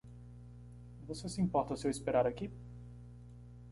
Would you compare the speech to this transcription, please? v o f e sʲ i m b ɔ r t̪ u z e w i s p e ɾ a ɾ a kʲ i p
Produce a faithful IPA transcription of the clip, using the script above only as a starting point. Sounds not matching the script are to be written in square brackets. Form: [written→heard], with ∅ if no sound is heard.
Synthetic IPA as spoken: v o [f→s] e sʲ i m [b→p] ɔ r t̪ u [z→s] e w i s p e ɾ a ɾ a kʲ i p